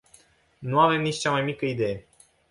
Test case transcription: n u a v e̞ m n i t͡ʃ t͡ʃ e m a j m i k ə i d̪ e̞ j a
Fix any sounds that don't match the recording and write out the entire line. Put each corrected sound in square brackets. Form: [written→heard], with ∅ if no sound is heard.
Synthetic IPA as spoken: n u a v e̞ m n i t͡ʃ t͡ʃ [e→a] m a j m i k ə i d̪ e̞ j [a→e]